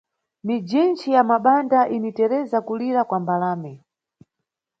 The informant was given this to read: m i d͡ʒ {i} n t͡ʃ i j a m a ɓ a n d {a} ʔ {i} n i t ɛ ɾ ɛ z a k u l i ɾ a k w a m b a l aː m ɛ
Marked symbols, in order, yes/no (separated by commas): yes, yes, yes